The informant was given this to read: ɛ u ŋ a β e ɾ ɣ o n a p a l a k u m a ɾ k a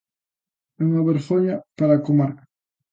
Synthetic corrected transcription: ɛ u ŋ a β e ɾ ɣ o ɲ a p a ɾ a k o m a ɾ k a